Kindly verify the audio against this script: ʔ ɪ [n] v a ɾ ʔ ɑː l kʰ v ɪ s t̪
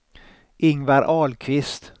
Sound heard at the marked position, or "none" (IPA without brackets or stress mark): ŋ